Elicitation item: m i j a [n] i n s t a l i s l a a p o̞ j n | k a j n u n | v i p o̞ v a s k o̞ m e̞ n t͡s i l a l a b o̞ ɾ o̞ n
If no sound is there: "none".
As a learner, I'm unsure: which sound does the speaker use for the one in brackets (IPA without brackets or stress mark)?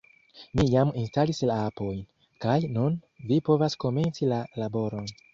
m